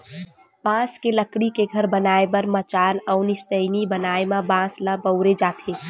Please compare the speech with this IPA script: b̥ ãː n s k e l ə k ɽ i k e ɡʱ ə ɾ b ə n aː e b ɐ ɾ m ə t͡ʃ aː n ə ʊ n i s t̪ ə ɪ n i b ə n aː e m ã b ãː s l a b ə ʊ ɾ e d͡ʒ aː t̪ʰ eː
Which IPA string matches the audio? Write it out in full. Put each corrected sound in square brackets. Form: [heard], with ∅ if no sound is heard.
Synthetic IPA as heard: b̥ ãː [∅] s k e l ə k ɽ i k e ɡʱ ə ɾ b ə n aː e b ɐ ɾ m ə t͡ʃ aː n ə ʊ n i s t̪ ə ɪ n i b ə n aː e m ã b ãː s l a b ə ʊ ɾ e d͡ʒ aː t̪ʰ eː